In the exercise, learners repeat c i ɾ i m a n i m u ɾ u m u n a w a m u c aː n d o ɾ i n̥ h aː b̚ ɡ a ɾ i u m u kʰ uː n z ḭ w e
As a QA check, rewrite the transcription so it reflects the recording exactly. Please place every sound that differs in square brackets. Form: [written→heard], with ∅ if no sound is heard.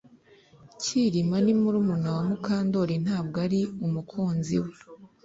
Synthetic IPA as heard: c i ɾ i m a n i m u ɾ u m u n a w a m u [c→k] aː n d o ɾ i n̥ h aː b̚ ɡ a ɾ i u m u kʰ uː n z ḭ w e